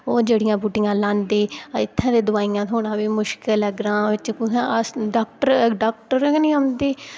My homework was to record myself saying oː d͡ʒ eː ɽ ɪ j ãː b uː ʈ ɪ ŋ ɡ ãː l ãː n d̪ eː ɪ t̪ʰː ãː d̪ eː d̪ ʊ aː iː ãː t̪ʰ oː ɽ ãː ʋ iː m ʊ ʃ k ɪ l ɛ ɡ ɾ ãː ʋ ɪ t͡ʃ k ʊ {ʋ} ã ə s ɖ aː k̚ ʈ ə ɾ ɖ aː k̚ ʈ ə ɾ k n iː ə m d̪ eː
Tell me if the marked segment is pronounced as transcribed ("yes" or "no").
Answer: no